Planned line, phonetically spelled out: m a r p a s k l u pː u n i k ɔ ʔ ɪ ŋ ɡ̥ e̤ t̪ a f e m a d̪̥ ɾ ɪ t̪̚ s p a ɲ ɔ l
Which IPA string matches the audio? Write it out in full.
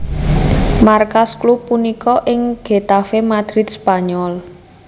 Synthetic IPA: m a r k a s k l u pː u n i k ɔ ʔ ɪ ŋ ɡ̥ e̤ t̪ a f e m a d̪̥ ɾ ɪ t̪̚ s p a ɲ ɔ l